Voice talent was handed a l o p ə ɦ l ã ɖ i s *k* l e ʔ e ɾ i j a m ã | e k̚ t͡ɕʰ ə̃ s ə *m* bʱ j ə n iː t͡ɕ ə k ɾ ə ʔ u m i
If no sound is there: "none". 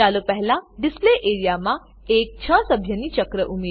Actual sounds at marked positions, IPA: p, none

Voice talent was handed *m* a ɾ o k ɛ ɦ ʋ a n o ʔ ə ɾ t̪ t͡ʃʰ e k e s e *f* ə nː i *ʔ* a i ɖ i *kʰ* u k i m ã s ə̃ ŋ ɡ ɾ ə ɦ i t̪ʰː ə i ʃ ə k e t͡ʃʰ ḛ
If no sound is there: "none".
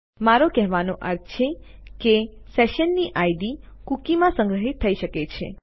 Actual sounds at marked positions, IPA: m, ʃ, ʔ, k

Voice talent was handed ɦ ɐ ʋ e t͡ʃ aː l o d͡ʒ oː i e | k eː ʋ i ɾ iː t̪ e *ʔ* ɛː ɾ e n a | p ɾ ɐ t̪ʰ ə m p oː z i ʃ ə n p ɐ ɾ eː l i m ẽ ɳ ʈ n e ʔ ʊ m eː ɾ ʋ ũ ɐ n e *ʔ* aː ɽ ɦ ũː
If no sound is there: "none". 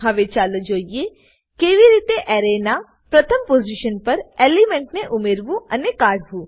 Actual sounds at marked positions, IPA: ʔ, k

